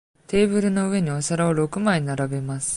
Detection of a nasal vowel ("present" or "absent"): absent